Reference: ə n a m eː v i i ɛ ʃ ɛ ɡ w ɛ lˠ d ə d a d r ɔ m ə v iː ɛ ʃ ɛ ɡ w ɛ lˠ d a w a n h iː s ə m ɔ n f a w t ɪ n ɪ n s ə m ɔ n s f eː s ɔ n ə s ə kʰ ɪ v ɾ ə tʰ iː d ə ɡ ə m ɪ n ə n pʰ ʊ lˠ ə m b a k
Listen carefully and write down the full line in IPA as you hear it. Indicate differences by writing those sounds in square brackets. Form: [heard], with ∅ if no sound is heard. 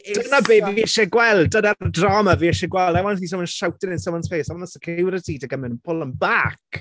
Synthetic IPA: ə n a [b] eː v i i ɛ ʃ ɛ ɡ w ɛ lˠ d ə d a d r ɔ m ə v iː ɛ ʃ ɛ ɡ w ɛ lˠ d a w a n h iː s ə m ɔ n [ʃ] a w t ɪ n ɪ n s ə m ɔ n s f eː s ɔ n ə s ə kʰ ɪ [w] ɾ ə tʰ iː d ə ɡ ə m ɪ n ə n pʰ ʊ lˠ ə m b a k